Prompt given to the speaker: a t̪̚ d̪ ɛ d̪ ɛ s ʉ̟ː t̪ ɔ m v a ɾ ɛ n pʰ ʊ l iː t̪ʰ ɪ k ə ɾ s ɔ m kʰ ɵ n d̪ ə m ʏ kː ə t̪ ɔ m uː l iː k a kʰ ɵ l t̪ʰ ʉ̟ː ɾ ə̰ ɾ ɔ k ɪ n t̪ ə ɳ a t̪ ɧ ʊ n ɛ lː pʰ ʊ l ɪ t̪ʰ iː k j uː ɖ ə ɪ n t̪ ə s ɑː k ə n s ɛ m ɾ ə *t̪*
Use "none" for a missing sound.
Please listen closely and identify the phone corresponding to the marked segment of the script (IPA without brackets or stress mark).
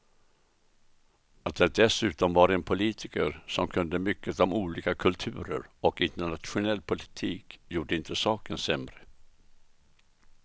none